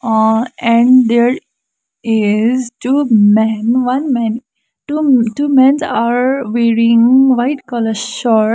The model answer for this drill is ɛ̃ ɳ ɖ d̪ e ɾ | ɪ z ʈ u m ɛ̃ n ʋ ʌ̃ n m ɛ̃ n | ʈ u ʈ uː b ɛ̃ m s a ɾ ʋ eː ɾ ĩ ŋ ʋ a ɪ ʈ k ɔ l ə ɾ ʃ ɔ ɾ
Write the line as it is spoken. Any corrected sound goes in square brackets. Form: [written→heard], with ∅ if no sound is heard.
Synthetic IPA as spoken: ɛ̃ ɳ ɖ d̪ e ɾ | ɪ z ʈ u m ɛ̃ n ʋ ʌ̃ n m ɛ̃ n | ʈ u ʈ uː [b→m] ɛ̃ [m→n] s a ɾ ʋ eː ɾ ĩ ŋ ʋ a ɪ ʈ k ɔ l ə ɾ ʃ ɔ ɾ